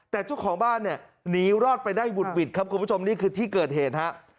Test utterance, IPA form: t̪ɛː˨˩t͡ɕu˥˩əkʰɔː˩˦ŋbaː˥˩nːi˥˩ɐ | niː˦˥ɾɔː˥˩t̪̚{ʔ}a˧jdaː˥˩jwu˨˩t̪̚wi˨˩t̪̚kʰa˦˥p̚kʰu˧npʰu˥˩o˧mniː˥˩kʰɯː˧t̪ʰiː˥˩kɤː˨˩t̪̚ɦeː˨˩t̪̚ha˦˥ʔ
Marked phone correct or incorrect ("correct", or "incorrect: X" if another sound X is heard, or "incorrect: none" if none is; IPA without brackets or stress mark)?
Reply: incorrect: p